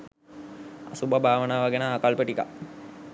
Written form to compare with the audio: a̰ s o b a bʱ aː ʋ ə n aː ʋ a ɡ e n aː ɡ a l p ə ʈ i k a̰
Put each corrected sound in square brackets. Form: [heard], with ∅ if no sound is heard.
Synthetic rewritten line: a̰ s [u] b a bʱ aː ʋ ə n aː ʋ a ɡ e n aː [k] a l p ə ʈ i k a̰

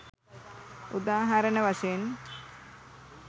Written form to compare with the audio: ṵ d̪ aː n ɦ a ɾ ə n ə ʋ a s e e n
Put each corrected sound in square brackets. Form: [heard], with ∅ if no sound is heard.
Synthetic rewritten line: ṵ d̪ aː [∅] ɦ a ɾ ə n ə ʋ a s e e n

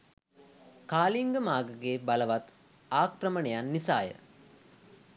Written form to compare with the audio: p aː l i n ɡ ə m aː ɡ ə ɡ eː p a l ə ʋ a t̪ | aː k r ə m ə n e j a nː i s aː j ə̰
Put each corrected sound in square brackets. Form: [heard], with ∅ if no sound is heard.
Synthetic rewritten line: [k] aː l i [ŋ] ɡ ə m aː ɡ ə ɡ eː [b] a l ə ʋ a t̪ | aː k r ə m ə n e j a nː i s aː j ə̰

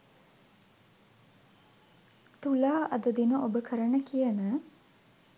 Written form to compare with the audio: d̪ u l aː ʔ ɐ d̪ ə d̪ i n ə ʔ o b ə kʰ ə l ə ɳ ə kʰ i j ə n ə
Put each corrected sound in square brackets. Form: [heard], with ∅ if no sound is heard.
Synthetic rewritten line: [t̪] u l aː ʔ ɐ d̪ ə d̪ i n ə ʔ o b ə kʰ ə [ɾ] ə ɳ ə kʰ i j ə n ə

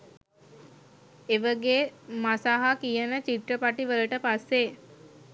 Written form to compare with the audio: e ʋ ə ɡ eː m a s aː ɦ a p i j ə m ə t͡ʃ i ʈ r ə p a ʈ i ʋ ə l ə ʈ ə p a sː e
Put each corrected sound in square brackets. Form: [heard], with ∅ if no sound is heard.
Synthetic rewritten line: e ʋ ə ɡ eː m a s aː ɦ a [k] i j ə [n] ə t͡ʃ i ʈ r ə p a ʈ i ʋ ə l ə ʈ ə p a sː e

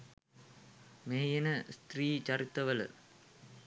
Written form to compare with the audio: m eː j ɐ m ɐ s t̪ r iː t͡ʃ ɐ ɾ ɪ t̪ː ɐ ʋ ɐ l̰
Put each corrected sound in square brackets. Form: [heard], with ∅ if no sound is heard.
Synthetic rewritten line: m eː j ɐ [n] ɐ s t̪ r iː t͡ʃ ɐ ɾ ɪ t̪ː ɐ ʋ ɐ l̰

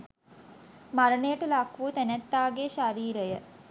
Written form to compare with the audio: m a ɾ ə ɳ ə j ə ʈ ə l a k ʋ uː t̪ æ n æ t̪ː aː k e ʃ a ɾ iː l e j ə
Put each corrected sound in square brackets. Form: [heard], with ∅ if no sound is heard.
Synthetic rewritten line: m a ɾ ə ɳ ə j ə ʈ ə l a k ʋ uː t̪ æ n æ t̪ː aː [ɡ] e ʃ a ɾ iː [ɾ] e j ə

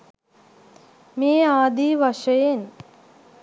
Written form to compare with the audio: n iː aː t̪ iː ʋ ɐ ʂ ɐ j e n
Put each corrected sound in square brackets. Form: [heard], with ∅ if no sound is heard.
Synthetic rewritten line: [m] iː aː [d̪] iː ʋ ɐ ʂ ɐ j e n

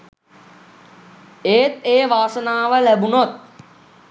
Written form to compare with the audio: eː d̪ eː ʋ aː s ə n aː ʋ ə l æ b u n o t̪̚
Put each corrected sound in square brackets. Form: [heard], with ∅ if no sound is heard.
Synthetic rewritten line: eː [t̪] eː ʋ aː s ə n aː ʋ ə l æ b u n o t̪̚

